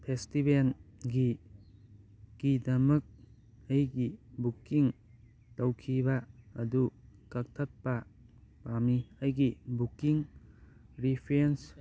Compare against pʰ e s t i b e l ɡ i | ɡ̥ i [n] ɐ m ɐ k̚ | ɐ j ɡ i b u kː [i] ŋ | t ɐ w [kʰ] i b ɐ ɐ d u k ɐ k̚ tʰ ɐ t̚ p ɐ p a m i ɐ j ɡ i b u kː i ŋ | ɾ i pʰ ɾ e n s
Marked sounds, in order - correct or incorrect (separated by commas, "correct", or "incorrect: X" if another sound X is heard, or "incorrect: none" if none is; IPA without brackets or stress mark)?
incorrect: d, correct, correct